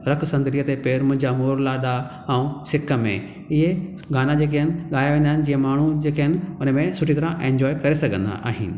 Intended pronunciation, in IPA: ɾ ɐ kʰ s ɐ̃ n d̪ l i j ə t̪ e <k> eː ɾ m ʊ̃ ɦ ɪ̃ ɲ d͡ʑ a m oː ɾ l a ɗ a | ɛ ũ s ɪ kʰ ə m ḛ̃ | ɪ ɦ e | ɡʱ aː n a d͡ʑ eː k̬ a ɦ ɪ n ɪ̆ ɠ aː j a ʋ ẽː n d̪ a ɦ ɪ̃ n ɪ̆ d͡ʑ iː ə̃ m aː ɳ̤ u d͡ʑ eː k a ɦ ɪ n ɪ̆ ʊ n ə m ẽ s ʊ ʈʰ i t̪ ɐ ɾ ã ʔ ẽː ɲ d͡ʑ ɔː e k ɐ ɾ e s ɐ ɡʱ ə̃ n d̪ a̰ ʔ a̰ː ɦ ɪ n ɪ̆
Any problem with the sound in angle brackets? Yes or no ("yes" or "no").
yes